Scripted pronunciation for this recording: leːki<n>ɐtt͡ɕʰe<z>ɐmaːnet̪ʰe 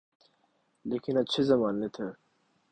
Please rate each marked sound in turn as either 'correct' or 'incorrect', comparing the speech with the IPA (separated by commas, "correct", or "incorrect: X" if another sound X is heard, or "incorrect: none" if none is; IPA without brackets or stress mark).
correct, correct